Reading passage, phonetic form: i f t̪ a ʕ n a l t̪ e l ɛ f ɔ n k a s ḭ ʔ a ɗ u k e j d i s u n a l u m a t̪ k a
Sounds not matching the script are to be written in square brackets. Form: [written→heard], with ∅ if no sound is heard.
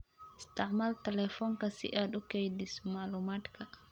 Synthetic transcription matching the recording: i [f→s] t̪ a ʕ [n→m] a l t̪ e l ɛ f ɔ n k a s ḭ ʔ a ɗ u k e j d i s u [n→m] a l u m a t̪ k a

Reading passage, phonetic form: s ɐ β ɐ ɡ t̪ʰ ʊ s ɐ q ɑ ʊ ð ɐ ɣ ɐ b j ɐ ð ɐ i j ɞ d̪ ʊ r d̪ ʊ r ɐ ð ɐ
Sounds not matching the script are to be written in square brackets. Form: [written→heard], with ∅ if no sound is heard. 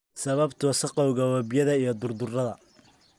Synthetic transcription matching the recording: s ɐ β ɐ [ɡ→b] t̪ʰ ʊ s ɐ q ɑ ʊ [ð→ɣ] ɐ [ɣ→w] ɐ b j ɐ ð ɐ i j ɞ d̪ ʊ r d̪ ʊ r ɐ ð ɐ

